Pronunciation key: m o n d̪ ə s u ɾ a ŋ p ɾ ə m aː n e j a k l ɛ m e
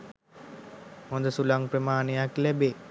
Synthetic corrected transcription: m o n d̪ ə s u l a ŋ p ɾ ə m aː n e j a k l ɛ b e